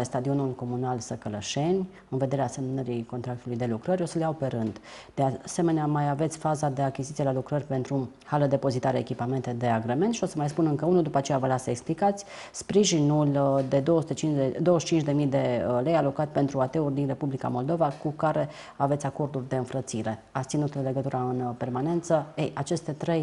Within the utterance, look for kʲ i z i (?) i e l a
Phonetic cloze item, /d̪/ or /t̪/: t̪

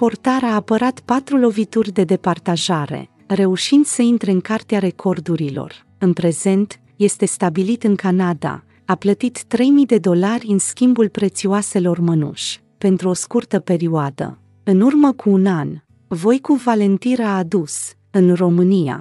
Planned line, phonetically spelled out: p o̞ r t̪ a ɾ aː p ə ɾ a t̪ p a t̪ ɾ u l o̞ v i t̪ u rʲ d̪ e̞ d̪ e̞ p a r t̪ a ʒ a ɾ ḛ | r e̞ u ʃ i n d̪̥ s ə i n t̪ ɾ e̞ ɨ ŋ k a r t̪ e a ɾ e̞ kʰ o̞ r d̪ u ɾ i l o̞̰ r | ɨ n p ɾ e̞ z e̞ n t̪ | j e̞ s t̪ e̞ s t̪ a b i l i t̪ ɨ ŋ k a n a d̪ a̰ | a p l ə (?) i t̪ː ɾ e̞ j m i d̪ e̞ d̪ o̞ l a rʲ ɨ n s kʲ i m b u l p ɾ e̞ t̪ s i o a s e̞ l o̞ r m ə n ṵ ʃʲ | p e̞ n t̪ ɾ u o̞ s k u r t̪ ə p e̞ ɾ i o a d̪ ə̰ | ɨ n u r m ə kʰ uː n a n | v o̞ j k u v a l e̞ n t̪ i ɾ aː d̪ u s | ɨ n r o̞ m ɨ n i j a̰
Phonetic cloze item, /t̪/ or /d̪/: t̪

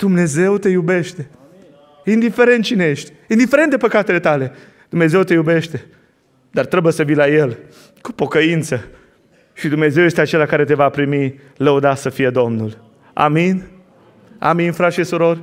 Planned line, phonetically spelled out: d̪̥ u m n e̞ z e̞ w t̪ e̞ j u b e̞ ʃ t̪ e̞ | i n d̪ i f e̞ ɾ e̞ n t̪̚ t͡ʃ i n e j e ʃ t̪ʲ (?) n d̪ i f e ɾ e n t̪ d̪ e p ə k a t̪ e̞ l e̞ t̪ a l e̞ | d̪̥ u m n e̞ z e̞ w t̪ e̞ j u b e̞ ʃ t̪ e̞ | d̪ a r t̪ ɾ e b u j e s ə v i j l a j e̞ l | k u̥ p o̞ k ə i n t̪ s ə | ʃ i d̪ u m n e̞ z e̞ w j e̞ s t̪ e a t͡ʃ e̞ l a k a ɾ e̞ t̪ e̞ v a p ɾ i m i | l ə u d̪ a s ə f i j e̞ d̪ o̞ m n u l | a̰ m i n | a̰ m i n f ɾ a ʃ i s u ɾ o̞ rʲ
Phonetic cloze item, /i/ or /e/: i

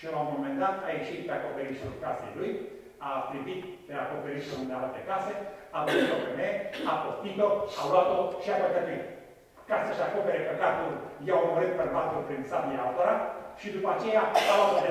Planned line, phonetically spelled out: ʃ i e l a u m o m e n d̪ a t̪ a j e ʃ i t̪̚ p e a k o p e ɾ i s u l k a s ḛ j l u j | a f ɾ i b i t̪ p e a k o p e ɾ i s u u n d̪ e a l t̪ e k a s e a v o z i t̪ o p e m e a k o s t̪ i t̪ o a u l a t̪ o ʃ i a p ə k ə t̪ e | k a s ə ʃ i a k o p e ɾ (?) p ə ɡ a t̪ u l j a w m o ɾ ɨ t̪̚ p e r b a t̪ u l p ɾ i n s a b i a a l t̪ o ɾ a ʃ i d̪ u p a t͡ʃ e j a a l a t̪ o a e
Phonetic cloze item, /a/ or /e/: e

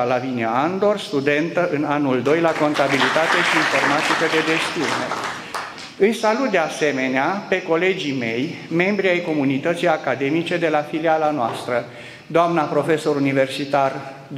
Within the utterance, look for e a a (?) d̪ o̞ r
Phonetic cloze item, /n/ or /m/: n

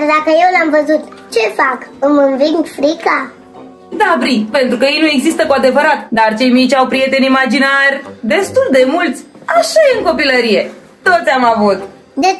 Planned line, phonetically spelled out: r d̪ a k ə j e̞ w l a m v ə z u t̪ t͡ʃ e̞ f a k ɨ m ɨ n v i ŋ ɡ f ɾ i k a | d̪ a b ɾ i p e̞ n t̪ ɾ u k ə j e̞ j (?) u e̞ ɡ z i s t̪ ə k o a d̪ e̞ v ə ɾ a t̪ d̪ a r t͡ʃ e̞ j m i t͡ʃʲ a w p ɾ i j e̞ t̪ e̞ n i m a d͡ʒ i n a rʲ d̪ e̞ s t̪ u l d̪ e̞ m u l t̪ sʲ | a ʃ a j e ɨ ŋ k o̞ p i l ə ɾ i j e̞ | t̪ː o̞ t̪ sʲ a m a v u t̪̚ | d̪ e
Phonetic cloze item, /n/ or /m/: n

